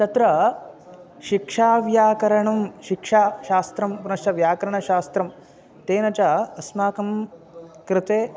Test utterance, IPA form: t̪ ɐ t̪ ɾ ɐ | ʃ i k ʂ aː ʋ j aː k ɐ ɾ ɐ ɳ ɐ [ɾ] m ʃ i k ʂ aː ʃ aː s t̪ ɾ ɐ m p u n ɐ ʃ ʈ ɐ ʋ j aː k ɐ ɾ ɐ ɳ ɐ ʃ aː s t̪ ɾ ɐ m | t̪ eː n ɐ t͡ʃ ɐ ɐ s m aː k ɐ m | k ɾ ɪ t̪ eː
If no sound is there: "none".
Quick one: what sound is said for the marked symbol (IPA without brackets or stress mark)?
none